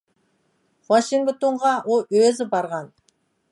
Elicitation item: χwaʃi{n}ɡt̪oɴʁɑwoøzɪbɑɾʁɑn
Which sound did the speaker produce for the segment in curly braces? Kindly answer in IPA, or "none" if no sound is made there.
ŋ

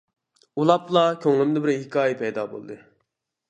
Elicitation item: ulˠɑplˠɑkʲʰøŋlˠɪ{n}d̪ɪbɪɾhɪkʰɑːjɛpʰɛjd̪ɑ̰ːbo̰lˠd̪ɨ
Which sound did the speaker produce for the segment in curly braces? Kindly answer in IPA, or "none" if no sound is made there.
m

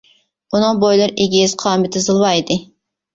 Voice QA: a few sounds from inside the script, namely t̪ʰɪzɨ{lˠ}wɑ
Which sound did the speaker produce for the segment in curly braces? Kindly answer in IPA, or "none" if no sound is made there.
lˠ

